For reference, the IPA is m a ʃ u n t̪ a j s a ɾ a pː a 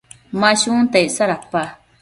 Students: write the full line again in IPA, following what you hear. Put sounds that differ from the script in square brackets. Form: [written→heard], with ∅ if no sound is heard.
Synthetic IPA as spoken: m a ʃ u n t̪ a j s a ɾ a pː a

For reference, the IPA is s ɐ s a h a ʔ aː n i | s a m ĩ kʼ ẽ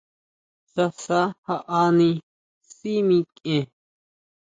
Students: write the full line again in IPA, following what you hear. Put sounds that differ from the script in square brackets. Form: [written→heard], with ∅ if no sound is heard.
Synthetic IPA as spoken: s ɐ s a h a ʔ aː n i | s [a→i] m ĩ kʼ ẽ

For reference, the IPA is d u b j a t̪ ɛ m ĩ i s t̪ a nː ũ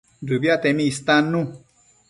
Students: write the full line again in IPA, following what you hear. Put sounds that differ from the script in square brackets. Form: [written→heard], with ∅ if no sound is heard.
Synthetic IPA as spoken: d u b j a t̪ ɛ m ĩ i s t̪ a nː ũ

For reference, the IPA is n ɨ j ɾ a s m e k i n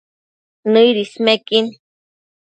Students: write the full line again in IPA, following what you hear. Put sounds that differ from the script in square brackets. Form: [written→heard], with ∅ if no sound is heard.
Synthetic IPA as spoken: n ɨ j ɾ [a→i] s m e k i n

